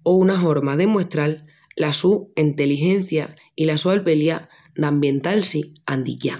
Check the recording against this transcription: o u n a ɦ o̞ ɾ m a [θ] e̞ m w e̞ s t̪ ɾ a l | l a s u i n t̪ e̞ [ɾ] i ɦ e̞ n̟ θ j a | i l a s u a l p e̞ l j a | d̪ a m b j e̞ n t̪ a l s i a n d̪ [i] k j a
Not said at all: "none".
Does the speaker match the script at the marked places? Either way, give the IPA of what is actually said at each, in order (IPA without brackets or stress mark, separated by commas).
ð, l, i